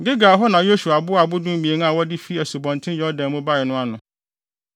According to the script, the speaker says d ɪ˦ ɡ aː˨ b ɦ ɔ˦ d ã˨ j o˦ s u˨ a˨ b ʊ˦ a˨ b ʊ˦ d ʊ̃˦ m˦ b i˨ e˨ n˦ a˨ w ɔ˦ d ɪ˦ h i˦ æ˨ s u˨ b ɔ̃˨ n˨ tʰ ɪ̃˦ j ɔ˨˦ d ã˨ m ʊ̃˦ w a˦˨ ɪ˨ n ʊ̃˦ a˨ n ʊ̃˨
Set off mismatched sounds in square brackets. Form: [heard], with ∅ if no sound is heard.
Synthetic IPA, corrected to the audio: [ɡ] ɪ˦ ɡ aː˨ [∅] ɦ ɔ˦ [n] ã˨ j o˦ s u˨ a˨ b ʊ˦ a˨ b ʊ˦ d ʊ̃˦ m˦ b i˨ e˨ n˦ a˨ w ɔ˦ d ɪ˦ [f] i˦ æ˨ s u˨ b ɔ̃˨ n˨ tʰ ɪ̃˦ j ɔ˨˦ d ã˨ m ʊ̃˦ [b] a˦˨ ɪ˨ n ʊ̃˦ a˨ n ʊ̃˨